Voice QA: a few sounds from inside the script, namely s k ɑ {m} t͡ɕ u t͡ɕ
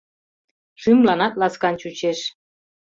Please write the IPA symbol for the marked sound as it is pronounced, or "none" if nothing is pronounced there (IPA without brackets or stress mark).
n